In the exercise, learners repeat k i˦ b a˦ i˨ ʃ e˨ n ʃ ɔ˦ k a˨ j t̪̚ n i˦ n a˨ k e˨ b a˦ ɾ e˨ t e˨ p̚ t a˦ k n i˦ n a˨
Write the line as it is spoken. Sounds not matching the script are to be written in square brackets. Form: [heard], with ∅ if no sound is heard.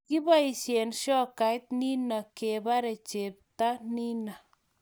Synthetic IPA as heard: k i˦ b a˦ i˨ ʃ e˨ n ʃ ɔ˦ k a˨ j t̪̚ n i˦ n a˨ k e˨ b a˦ ɾ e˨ [t͡ʃ] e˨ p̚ t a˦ [∅] n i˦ n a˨